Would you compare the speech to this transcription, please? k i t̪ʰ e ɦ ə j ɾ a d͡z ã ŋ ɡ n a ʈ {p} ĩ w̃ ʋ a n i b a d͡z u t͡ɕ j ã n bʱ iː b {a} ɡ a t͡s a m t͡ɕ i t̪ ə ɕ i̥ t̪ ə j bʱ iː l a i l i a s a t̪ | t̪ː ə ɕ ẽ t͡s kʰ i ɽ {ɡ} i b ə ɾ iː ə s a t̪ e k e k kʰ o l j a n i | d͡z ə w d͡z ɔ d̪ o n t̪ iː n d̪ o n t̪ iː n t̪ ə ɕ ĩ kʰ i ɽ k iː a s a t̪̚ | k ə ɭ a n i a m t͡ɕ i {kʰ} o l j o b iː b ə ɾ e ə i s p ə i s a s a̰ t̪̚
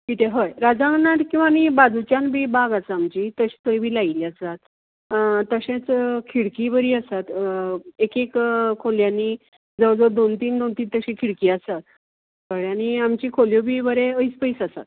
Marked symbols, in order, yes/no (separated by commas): no, yes, no, yes